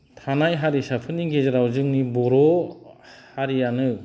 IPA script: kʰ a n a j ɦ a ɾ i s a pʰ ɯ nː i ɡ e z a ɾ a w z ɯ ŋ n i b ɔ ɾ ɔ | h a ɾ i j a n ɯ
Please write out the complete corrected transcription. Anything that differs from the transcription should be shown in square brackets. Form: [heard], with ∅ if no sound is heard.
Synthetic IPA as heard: [tʰ] a n a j ɦ a ɾ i s a pʰ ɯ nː i ɡ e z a ɾ a w z ɯ ŋ n i b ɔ ɾ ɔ | h a ɾ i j a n ɯ